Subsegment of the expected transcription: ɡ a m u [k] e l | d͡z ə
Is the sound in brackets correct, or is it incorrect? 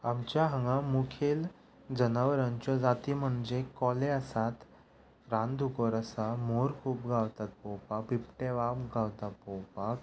incorrect